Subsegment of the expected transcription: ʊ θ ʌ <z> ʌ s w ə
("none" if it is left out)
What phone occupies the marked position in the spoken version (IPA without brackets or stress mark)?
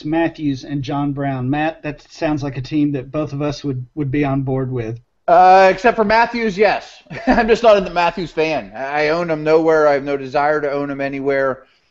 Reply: v